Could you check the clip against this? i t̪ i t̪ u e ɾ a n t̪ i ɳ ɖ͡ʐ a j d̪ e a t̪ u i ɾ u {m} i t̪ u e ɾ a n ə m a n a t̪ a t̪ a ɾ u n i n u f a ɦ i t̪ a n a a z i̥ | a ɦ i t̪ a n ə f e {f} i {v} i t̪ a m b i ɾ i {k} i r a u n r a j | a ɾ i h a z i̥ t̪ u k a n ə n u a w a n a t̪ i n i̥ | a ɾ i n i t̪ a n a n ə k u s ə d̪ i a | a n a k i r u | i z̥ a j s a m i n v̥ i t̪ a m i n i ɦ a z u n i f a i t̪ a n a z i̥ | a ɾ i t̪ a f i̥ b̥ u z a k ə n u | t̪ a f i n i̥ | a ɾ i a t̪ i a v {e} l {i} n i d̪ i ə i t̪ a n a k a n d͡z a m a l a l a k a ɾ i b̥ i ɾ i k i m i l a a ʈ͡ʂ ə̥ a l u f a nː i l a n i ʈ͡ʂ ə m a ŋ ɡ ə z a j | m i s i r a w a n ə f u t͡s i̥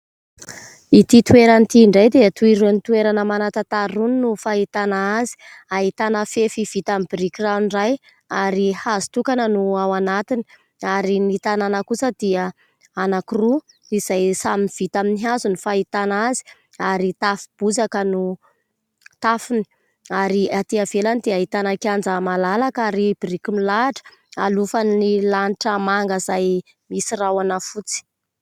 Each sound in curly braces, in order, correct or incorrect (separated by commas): incorrect, correct, correct, correct, correct, incorrect